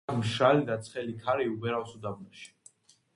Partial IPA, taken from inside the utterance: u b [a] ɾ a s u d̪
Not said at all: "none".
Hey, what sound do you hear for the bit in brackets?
ɛ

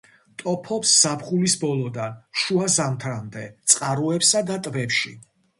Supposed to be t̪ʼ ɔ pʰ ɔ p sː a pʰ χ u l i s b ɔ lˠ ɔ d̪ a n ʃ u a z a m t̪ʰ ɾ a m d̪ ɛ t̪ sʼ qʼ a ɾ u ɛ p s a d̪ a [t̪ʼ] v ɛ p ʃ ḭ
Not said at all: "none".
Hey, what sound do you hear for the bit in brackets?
t̪ʼ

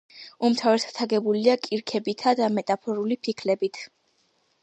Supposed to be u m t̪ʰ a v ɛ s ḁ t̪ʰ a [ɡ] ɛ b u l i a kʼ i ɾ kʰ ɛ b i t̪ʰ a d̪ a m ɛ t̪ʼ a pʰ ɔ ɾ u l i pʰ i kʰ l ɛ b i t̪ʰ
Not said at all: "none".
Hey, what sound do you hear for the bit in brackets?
ɡ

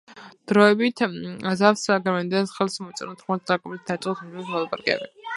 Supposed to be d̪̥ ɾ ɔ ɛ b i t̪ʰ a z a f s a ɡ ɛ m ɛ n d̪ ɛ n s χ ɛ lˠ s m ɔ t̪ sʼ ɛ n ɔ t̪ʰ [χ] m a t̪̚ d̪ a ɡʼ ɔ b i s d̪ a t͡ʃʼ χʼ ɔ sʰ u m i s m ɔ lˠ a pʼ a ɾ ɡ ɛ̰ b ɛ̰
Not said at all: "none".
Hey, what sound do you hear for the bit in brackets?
χ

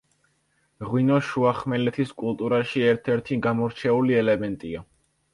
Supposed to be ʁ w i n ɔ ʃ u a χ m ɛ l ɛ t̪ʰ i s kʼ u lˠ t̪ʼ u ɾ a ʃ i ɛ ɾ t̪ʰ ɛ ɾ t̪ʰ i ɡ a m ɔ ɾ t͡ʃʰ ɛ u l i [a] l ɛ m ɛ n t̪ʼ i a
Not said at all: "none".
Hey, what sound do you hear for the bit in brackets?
ɛ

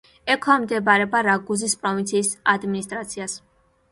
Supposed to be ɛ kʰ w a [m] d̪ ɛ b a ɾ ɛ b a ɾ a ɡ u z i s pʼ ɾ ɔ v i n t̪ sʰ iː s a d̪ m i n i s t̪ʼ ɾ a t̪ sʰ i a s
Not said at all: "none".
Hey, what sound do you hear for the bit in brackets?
m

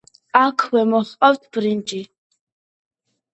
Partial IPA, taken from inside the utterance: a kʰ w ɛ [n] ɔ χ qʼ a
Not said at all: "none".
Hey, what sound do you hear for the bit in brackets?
m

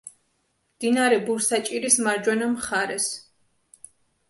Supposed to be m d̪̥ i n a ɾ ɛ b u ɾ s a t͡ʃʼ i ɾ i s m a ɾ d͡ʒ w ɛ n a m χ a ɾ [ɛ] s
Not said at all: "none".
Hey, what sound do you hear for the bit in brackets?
ɛ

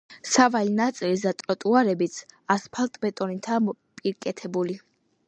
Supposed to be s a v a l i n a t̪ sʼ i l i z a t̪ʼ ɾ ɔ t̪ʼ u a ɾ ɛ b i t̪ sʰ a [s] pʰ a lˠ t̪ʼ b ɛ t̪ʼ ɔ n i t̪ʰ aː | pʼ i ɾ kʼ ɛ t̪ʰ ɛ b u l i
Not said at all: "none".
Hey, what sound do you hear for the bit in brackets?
s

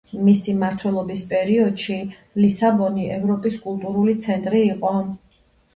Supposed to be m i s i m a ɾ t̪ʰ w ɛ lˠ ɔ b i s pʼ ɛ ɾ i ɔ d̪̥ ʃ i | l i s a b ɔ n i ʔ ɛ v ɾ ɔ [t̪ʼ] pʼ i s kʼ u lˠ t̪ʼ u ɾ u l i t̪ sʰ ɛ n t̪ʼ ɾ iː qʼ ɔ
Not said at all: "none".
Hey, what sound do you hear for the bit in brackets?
none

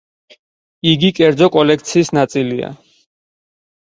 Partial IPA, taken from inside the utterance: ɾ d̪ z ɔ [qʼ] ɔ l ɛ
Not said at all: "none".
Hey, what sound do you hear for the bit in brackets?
kʼ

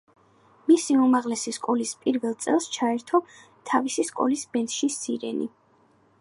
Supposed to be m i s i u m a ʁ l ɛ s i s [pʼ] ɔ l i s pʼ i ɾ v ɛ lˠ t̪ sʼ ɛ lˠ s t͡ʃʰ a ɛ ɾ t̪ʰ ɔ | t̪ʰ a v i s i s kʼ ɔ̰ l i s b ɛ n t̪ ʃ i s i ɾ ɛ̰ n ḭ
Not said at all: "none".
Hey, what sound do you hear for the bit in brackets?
kʼ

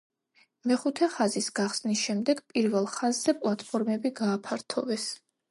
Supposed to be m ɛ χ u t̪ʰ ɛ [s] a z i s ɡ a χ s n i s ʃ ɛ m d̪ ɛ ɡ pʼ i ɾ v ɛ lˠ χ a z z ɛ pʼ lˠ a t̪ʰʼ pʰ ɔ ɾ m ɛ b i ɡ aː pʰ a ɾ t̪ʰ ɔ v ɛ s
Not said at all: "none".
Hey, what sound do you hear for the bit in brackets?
χ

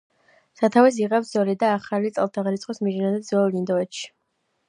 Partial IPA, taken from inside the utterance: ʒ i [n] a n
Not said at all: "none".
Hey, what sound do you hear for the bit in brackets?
n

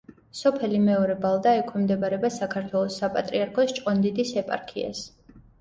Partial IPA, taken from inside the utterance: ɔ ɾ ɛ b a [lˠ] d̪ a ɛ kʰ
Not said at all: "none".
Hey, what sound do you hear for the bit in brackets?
lˠ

